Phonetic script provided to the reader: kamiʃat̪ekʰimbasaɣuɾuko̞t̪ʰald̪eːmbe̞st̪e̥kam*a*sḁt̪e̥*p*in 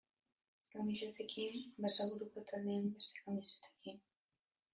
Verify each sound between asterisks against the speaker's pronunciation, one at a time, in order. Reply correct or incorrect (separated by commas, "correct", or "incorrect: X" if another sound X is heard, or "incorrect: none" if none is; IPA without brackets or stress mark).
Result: incorrect: i, incorrect: k